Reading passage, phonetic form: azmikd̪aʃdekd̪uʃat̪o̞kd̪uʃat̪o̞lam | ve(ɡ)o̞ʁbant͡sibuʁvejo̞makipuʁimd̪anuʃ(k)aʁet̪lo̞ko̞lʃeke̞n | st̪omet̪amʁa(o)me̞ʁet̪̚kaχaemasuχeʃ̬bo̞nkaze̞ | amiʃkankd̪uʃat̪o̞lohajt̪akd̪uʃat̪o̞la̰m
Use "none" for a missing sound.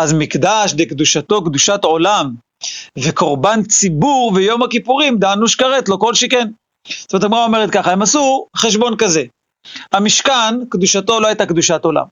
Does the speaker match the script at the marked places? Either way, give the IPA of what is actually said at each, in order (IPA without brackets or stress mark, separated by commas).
k, k, o